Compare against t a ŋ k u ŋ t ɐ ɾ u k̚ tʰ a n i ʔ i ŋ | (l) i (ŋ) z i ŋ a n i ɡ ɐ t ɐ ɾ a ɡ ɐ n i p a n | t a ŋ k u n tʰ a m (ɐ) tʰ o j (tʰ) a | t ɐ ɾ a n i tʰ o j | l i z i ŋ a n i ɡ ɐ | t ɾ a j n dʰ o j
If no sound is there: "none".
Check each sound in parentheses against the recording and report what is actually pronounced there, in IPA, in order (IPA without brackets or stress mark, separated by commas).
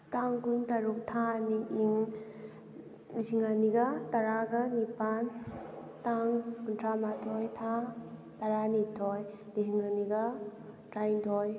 l, none, a, tʰ